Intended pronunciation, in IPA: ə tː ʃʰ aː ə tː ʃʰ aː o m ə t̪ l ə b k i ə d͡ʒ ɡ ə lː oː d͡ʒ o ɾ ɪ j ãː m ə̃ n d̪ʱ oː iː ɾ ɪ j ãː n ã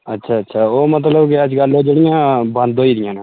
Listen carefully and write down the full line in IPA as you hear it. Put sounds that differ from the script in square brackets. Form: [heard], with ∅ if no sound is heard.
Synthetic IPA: ə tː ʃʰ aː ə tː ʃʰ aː o m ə t̪ l ə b k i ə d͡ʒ ɡ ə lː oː d͡ʒ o [ɽ] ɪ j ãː [b] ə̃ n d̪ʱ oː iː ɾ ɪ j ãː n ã